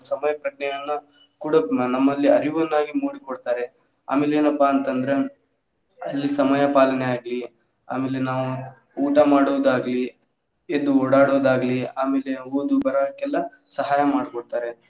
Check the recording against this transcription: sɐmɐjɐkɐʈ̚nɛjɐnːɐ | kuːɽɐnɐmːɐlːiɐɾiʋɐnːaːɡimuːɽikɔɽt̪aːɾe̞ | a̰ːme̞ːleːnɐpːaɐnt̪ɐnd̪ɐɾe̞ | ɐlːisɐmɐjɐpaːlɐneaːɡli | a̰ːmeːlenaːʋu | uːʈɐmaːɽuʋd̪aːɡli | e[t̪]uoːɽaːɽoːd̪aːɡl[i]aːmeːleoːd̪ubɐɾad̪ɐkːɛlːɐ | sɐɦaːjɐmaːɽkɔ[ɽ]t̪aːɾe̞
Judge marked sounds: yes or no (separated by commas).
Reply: no, yes, yes